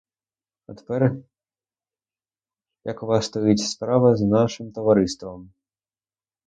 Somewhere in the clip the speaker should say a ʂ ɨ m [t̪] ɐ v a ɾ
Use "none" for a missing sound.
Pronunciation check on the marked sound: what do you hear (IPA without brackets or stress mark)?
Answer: t̪